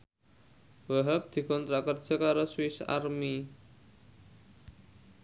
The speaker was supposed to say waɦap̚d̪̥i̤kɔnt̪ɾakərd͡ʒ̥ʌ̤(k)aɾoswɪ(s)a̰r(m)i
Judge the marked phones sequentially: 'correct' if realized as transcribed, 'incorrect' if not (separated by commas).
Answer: correct, correct, correct